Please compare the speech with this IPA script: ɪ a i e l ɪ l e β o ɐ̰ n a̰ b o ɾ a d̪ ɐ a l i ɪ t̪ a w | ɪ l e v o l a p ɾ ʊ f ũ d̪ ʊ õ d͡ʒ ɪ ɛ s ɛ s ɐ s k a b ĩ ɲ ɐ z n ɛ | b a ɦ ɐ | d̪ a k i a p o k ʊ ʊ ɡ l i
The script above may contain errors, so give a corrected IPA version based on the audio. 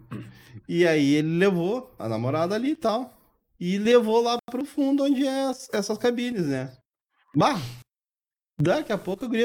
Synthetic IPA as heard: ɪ a i e l ɪ l e v o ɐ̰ n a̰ m o ɾ a d̪ ɐ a l i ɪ t̪ a w | ɪ l e v o l a p ɾ ʊ f ũ d̪ ʊ õ d͡ʒ ɪ ɛ s ɛ s ɐ s k a b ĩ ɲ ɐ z n ɛ | b a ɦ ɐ | d̪ a k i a p o k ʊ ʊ ɡ ɾ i